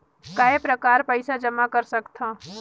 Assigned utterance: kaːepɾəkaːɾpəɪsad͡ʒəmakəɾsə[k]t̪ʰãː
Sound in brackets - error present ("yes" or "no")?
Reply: no